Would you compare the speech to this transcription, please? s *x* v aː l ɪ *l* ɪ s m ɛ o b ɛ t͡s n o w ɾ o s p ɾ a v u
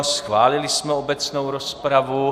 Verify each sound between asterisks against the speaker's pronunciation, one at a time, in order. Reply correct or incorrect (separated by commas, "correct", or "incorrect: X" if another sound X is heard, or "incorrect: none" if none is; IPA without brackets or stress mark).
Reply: correct, correct